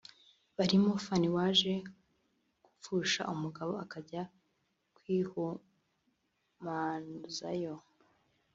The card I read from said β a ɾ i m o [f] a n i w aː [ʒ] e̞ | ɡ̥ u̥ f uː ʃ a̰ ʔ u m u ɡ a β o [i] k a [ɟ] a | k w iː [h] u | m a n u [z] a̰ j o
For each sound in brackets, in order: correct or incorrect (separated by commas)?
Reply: correct, correct, incorrect, correct, correct, correct